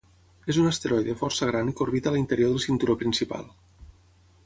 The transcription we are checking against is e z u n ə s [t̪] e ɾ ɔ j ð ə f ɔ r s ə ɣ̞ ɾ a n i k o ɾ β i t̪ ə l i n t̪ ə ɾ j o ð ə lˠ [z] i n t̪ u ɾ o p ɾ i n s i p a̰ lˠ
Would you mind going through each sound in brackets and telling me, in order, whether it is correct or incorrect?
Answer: correct, incorrect: s

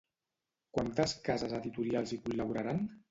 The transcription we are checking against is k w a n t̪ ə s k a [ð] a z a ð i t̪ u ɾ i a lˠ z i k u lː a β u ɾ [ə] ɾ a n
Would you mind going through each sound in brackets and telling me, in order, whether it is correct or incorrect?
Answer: incorrect: z, incorrect: a

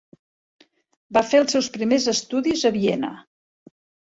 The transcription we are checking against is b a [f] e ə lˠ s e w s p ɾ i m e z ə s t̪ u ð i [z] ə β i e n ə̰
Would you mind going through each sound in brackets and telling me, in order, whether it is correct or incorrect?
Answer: correct, correct

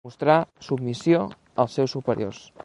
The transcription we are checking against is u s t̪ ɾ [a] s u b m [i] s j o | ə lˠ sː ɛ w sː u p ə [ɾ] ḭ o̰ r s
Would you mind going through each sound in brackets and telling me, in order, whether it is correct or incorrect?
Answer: correct, correct, correct

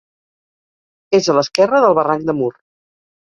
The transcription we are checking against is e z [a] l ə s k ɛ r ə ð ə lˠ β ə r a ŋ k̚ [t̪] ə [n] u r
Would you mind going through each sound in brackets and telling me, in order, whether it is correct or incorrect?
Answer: incorrect: ə, incorrect: d̪, incorrect: m

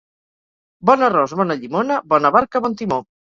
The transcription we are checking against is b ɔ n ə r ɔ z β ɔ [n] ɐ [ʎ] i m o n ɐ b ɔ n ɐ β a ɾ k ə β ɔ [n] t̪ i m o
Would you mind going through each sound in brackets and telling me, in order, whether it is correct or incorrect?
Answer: correct, correct, correct

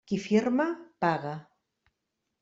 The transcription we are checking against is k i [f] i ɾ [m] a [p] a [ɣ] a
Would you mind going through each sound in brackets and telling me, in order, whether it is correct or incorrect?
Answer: correct, correct, correct, correct

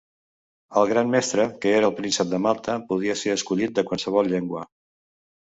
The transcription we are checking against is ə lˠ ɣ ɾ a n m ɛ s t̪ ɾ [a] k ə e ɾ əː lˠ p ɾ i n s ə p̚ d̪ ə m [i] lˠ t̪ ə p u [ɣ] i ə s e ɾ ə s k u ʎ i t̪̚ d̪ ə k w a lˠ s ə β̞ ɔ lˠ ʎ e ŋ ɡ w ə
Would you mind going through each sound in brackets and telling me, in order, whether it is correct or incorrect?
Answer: incorrect: ə, incorrect: a, incorrect: ð

